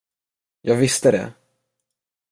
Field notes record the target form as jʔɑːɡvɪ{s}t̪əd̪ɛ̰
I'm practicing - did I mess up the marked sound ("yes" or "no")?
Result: no